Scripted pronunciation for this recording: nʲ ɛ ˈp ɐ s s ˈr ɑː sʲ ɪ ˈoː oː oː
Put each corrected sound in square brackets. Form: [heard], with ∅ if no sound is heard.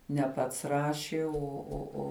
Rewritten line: nʲ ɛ ˈp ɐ [t] s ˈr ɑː [ʃʲ] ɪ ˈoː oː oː